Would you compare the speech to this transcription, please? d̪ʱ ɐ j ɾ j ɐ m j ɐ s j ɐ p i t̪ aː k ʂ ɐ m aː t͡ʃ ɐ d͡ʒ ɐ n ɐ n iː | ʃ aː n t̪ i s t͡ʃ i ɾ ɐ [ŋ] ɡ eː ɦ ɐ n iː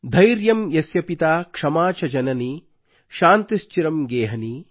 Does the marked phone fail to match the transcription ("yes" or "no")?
yes